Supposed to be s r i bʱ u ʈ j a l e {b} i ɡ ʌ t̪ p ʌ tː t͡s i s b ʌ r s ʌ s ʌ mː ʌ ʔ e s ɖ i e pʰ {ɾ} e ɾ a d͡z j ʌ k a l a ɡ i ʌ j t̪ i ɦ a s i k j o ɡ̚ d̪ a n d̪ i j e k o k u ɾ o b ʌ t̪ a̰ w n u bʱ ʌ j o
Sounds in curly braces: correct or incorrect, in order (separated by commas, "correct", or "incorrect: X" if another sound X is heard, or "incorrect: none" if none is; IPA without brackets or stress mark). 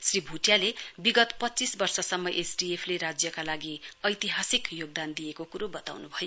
correct, incorrect: l